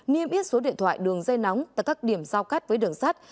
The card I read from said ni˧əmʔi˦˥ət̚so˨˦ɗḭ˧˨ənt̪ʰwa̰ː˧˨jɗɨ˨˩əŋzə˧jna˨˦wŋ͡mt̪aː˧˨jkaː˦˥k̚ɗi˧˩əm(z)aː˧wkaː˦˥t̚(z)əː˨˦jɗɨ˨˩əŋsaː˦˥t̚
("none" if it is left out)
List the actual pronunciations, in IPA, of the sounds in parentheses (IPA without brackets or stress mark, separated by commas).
z, v